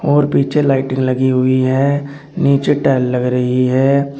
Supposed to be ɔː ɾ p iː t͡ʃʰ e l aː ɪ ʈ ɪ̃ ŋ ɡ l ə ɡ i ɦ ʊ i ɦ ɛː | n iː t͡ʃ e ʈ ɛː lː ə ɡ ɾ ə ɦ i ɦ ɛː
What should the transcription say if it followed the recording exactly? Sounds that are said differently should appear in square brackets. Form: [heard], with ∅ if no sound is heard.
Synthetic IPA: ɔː ɾ p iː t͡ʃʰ e l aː ɪ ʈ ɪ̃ ŋ ɡ l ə ɡ i ɦ ʊ i ɦ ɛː | n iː t͡ʃ e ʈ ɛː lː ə ɡ ɾ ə ɦ i ɦ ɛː